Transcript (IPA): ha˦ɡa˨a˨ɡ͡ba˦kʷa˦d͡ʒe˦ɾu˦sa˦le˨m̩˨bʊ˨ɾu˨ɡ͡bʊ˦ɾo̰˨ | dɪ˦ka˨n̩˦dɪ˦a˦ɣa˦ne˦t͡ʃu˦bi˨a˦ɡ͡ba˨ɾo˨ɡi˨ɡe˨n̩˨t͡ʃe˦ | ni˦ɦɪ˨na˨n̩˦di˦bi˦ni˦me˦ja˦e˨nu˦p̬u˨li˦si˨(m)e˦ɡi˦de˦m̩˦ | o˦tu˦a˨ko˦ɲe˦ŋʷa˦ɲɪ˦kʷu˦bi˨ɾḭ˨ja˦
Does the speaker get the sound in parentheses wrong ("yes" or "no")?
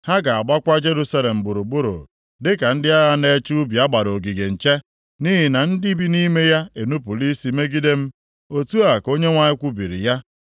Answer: no